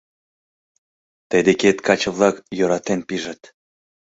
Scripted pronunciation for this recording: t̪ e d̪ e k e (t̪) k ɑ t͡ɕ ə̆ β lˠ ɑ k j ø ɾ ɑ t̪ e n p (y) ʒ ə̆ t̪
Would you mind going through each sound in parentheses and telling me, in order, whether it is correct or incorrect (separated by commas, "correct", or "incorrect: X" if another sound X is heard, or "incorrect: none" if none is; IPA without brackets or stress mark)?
correct, incorrect: i